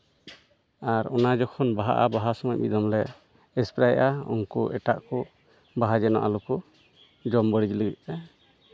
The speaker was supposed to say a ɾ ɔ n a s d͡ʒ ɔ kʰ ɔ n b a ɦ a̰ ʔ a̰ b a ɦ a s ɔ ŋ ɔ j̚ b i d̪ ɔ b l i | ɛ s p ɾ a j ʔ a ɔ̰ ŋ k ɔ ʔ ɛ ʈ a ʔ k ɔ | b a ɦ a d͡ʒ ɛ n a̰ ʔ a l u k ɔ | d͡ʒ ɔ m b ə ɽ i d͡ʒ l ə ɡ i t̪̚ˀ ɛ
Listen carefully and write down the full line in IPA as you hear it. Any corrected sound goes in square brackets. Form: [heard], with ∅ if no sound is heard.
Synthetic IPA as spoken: a ɾ ɔ n a [∅] d͡ʒ ɔ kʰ ɔ n b a ɦ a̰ ʔ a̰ b a ɦ a s ɔ [m] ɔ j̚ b i d̪ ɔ [m] l [ɛ] | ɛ s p ɾ a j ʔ a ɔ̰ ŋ k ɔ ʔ ɛ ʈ a ʔ k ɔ | b a ɦ a d͡ʒ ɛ n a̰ ʔ a l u k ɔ | d͡ʒ ɔ m b ə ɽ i d͡ʒ l ə ɡ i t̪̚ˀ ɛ